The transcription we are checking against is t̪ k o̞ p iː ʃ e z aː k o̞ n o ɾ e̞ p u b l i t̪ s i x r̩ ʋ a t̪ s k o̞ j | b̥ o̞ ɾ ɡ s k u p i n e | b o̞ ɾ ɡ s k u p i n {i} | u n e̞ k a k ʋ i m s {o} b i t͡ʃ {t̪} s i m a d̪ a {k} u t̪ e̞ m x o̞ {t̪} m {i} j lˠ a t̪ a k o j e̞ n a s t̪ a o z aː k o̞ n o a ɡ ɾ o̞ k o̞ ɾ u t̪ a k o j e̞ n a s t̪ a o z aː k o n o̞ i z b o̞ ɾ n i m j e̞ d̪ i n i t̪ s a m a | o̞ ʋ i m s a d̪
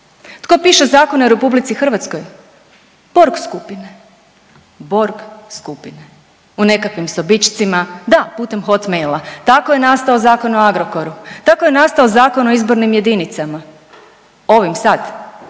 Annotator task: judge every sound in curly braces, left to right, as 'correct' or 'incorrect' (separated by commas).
incorrect, correct, correct, incorrect, correct, incorrect